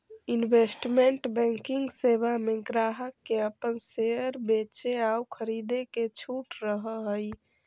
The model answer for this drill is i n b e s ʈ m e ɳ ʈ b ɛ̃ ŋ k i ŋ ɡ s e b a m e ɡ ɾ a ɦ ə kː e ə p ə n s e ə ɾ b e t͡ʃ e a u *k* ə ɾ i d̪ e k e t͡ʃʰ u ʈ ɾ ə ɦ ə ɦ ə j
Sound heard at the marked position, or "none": kʰ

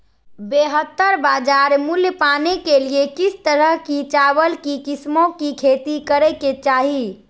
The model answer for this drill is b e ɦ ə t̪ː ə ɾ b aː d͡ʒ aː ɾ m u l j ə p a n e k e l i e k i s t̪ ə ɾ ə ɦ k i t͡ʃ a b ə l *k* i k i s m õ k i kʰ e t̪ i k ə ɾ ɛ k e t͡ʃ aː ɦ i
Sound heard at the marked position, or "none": k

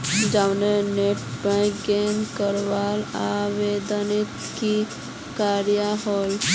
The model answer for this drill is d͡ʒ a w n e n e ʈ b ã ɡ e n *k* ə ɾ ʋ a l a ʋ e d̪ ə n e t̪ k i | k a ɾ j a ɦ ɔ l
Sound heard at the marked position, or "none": k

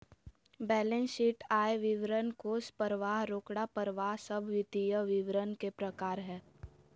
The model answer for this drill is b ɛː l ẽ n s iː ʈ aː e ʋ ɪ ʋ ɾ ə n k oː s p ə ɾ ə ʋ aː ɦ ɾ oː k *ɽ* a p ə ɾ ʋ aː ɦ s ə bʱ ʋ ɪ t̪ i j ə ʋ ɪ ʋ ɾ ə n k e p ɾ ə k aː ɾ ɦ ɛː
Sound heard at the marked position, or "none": ɽ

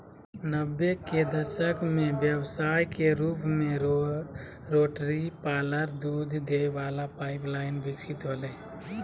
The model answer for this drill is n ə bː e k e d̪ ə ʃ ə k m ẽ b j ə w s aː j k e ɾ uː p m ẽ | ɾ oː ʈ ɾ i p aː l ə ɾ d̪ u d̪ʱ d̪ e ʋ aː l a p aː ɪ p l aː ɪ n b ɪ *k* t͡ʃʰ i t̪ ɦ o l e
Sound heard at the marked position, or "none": k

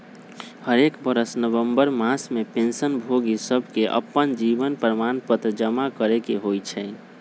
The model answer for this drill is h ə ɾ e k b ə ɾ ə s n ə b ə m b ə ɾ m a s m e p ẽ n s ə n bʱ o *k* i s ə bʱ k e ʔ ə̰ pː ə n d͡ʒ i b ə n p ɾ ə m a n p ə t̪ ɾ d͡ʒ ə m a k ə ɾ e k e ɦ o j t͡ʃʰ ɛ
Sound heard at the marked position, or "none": ɡ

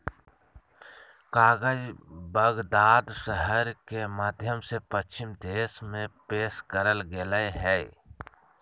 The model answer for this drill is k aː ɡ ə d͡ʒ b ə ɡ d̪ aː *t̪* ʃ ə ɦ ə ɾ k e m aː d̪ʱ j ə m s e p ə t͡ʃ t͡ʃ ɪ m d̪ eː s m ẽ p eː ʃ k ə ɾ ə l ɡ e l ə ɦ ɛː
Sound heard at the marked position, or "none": d̪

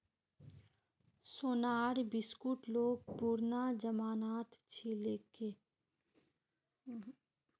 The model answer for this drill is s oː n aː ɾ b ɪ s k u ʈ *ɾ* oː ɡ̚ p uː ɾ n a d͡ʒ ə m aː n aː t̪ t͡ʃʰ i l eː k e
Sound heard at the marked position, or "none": l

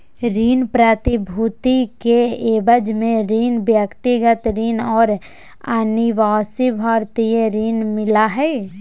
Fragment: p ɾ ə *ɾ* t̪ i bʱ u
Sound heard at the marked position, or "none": none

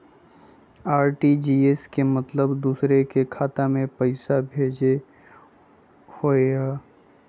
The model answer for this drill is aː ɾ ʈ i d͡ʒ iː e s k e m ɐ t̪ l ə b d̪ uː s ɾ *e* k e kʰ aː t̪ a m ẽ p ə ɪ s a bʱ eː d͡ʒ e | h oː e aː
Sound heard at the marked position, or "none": e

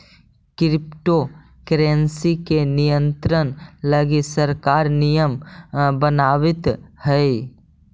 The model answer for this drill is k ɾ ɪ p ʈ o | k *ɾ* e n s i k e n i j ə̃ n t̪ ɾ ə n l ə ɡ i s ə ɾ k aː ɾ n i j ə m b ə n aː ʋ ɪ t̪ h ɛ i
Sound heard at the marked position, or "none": ɾ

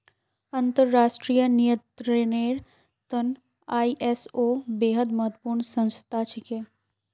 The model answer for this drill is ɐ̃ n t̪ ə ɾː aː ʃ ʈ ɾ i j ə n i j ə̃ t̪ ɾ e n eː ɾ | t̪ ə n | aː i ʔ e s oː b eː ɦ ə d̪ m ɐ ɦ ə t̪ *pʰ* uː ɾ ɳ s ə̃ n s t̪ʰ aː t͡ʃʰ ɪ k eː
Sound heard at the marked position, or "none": p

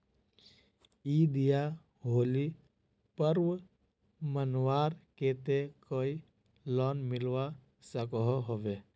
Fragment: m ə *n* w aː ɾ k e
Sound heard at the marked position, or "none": n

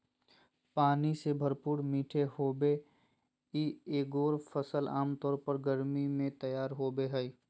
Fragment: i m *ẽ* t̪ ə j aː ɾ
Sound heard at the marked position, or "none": ẽ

